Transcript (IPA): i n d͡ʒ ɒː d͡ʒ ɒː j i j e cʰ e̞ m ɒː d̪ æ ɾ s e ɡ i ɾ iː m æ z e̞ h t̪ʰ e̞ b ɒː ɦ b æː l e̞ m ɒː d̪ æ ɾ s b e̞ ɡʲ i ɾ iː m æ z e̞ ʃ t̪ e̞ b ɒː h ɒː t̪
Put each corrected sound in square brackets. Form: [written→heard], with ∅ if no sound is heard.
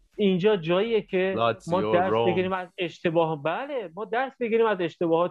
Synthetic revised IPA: i n d͡ʒ ɒː d͡ʒ ɒː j i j e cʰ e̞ m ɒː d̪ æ ɾ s e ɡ i ɾ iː m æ z e̞ [h→ʃ] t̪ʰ e̞ b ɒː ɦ b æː l e̞ m ɒː d̪ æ ɾ s b e̞ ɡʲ i ɾ iː m æ z e̞ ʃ t̪ e̞ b ɒː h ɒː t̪